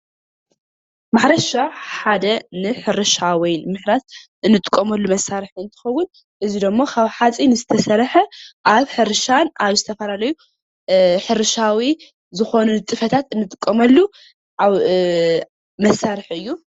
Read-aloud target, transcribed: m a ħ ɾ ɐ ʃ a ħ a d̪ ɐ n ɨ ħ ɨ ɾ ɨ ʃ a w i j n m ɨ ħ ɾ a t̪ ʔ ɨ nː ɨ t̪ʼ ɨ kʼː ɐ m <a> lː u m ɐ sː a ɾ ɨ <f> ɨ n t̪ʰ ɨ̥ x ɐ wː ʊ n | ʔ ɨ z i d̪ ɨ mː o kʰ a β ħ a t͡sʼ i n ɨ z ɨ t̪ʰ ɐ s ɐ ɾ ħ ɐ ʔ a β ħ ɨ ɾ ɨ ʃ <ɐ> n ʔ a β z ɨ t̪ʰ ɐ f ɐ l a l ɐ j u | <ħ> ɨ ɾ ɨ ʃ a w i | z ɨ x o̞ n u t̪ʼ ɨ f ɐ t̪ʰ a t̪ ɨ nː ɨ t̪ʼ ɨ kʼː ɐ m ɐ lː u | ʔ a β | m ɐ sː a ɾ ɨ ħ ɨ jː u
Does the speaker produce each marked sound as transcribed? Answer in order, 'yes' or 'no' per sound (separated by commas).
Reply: no, no, no, yes